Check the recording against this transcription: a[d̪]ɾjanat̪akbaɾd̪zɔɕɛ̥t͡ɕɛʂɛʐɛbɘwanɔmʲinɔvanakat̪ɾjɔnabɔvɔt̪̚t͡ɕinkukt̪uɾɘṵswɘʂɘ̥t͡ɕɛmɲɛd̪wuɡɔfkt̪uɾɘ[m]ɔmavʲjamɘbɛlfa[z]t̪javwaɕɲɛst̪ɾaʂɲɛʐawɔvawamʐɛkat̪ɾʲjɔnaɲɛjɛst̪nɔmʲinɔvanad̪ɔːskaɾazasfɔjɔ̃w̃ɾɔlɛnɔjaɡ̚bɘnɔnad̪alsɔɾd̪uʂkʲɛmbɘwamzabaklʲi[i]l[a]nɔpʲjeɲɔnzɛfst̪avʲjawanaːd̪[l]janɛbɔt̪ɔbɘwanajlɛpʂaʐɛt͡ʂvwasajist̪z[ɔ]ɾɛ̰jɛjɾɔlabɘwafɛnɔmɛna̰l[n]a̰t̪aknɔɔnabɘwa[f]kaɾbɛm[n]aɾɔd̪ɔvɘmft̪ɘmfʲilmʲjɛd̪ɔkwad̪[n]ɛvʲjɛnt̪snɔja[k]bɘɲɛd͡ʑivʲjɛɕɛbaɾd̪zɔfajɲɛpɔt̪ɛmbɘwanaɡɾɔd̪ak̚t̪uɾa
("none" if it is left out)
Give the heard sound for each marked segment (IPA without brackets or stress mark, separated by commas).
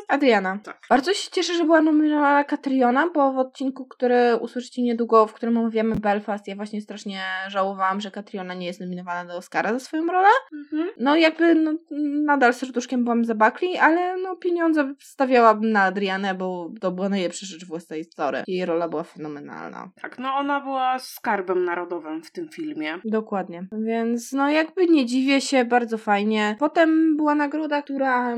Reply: d̪, m, s, a, ɛ, ɾ, ɔ, n, s, n, ɲ, ɡ